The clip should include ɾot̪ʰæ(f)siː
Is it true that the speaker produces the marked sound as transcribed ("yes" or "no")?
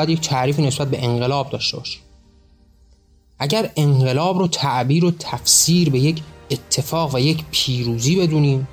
yes